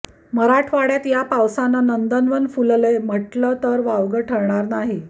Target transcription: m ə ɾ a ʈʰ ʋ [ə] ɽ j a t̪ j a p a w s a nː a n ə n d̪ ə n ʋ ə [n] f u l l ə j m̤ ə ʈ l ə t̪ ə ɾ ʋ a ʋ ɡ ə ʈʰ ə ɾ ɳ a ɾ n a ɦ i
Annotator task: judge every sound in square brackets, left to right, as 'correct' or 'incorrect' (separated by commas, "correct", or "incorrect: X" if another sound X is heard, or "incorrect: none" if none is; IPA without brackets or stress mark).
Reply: incorrect: a, correct